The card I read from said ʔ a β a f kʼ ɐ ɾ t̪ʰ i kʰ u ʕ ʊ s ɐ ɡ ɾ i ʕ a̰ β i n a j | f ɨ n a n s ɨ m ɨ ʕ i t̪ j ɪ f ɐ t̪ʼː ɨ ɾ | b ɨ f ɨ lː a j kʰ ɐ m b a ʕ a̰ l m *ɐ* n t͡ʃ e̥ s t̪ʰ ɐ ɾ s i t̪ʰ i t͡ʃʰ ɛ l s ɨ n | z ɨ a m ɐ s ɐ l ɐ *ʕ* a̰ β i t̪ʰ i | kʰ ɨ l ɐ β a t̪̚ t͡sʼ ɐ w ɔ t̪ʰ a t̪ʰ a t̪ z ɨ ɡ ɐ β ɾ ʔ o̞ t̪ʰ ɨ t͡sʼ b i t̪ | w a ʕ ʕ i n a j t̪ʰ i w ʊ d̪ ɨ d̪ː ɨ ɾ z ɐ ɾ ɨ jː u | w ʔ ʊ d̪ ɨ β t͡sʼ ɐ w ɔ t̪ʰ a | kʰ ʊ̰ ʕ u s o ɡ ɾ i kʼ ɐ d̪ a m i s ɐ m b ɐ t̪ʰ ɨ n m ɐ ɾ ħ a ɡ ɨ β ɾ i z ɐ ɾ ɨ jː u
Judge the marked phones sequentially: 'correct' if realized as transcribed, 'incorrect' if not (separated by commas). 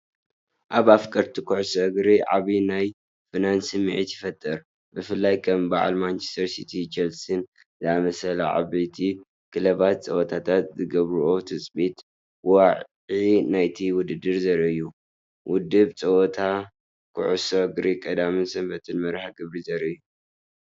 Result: incorrect, correct